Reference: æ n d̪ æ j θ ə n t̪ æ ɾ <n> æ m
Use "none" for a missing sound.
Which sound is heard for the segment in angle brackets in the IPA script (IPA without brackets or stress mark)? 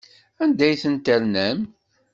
n